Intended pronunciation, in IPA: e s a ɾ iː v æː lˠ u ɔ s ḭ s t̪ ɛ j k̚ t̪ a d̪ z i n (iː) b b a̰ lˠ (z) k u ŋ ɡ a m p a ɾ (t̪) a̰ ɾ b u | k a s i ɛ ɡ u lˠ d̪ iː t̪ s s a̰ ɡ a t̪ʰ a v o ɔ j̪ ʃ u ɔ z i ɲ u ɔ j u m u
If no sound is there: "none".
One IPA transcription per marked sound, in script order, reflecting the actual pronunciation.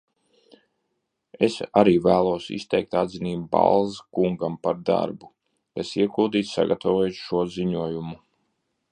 iː, z, d̪

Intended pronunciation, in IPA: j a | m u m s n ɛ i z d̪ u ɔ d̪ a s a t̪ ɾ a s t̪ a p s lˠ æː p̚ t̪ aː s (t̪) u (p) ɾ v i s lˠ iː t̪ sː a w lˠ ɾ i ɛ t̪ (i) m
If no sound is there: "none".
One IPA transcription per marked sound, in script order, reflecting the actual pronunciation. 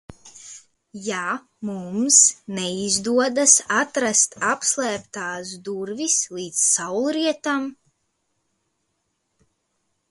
d̪, none, a

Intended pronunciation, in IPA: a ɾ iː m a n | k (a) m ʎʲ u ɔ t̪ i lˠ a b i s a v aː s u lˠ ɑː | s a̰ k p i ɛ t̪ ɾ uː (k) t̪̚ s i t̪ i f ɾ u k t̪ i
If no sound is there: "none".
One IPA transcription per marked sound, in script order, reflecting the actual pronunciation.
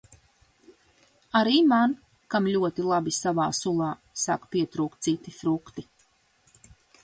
a, k

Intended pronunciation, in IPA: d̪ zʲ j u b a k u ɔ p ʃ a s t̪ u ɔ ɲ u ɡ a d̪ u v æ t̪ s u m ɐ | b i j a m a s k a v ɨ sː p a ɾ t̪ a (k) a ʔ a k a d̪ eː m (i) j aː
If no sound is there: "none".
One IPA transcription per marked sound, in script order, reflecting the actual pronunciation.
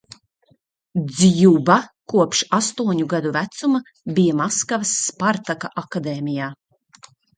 k, i

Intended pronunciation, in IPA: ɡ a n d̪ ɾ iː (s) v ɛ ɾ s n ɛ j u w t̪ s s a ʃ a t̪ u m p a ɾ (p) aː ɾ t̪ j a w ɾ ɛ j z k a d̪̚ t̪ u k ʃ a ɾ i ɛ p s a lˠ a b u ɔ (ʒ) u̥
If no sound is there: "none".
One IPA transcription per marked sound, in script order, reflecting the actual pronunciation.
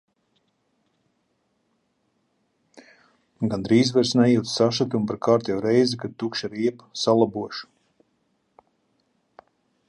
z, k, ʃ

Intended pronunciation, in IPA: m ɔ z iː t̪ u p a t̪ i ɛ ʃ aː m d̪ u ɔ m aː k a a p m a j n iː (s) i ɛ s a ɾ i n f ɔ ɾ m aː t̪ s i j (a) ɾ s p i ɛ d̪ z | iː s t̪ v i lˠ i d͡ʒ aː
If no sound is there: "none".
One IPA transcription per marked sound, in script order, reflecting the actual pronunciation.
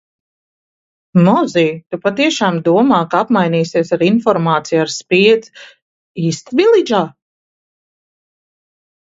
s, a

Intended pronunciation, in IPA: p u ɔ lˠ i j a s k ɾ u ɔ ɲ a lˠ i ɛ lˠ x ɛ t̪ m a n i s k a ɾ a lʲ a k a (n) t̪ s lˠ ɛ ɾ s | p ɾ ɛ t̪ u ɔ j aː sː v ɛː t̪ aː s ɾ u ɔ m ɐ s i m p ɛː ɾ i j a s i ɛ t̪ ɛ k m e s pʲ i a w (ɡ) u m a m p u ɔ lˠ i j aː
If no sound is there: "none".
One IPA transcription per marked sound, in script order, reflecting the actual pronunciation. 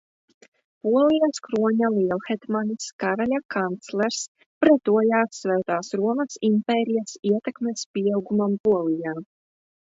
n, ɡ

